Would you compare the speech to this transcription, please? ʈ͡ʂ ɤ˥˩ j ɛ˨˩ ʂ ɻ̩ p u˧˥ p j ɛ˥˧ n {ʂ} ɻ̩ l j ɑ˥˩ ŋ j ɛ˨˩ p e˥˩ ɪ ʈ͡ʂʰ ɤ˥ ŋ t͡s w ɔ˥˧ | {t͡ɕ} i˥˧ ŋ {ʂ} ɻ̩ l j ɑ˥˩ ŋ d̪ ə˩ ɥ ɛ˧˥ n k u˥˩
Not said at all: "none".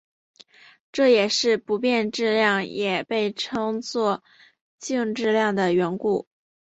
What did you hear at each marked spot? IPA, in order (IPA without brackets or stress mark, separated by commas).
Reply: ʈ͡ʂ, t͡ɕ, ʈ͡ʂ